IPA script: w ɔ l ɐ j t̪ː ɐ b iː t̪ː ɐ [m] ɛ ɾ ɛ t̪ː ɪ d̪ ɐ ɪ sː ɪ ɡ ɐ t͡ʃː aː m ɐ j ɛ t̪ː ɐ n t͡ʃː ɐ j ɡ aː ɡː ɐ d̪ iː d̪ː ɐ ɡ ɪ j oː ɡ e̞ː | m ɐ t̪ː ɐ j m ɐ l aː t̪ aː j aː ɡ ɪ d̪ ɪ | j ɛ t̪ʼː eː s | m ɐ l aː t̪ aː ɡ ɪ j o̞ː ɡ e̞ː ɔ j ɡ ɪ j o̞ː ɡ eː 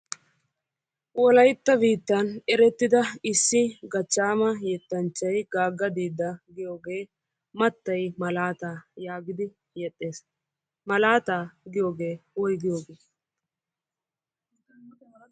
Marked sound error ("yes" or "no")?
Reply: yes